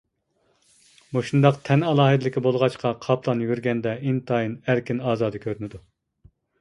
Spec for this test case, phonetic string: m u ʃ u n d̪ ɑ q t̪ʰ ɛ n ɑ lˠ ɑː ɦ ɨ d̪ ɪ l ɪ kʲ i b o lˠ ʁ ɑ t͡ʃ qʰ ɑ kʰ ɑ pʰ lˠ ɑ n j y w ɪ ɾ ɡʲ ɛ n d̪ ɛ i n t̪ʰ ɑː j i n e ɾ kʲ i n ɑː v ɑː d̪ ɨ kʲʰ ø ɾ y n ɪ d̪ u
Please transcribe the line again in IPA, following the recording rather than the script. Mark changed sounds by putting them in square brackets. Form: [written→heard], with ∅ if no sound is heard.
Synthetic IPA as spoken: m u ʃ u n d̪ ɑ q t̪ʰ ɛ n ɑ lˠ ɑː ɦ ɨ d̪ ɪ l ɪ kʲ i b o lˠ ʁ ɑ t͡ʃ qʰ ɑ [kʰ→qʰ] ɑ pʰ lˠ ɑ n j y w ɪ ɾ ɡʲ ɛ n d̪ ɛ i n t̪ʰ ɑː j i n [e→æ] ɾ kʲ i n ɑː [v→z] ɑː d̪ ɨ kʲʰ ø ɾ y n ɪ d̪ u